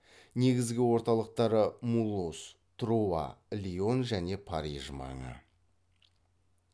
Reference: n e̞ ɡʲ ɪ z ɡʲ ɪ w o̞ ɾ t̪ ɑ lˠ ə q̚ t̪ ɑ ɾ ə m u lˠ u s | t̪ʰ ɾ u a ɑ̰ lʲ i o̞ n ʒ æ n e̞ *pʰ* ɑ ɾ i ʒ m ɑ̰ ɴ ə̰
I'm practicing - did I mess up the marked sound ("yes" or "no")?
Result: no